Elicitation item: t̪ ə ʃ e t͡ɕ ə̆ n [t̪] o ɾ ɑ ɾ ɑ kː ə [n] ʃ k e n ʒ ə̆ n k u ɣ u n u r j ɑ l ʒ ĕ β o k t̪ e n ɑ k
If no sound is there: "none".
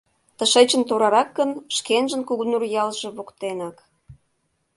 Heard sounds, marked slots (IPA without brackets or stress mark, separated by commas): t̪, n